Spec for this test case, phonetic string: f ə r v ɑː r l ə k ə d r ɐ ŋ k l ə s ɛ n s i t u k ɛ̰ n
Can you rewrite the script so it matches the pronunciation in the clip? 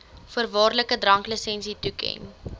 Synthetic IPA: f ə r v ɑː r l ə k ə d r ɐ ŋ k l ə s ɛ n s i t u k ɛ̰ n